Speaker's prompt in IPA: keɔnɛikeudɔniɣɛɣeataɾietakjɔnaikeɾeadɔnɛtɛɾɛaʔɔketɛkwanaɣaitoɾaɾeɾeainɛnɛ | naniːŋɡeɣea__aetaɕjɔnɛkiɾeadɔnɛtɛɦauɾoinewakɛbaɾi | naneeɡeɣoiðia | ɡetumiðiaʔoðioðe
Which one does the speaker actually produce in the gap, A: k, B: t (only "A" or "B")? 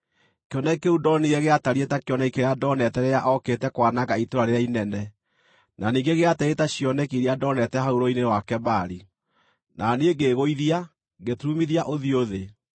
B